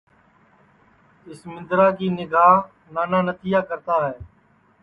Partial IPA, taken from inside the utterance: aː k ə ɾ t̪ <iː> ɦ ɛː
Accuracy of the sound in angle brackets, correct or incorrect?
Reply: incorrect